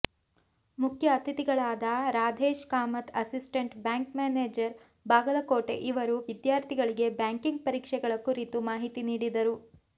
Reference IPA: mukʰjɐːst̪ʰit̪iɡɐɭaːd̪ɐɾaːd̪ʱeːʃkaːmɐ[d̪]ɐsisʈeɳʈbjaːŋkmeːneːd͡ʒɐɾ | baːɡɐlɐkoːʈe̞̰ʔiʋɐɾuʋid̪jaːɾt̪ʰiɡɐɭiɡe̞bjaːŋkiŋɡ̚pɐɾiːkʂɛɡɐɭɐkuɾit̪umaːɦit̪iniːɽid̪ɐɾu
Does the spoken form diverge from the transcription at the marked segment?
yes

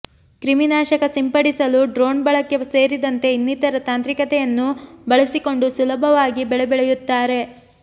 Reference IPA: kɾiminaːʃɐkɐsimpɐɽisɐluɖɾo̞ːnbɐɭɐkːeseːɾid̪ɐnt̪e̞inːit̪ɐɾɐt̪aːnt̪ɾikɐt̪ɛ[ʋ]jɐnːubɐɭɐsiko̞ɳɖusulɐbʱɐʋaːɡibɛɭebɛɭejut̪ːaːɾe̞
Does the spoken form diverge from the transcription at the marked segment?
yes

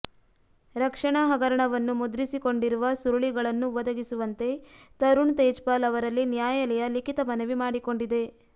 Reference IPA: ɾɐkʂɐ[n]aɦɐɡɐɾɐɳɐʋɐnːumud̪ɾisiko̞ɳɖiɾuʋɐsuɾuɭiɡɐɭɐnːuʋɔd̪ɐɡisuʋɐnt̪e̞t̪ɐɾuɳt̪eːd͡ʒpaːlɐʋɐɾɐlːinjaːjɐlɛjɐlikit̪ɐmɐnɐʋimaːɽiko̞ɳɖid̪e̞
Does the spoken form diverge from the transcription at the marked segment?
yes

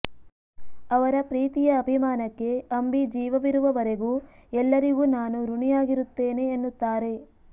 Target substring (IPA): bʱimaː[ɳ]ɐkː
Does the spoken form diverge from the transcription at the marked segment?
yes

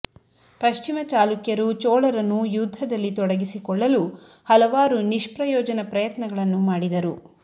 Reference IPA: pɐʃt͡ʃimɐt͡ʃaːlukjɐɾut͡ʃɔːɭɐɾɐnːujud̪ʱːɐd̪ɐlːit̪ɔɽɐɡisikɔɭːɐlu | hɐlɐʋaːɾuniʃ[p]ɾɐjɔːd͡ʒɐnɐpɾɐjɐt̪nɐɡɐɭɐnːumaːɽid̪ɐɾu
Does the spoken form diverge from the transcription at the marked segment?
no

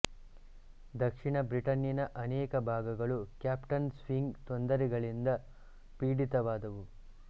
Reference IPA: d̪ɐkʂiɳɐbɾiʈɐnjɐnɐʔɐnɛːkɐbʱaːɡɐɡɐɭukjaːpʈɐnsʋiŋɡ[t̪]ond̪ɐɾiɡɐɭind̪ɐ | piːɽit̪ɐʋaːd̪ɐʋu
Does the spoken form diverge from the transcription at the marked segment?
no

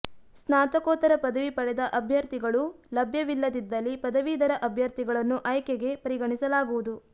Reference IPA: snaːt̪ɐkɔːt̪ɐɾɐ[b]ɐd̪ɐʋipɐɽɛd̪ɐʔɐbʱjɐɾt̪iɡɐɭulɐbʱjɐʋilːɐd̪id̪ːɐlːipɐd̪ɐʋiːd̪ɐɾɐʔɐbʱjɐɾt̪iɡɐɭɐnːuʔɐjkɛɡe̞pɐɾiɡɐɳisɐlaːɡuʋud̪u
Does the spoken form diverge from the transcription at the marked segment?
yes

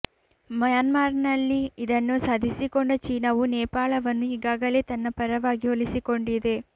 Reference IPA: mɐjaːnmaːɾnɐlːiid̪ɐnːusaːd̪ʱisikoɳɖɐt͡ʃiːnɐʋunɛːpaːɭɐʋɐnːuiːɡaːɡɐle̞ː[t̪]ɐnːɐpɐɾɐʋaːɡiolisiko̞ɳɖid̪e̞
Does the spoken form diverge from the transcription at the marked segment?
no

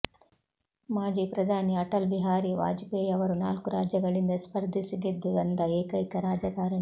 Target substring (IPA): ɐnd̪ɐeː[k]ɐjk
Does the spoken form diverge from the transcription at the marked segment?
no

